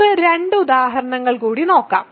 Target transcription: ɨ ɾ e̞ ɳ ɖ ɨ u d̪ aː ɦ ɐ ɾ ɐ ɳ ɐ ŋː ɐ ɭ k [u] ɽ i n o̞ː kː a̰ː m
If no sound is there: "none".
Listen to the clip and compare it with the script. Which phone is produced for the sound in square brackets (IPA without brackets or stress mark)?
uː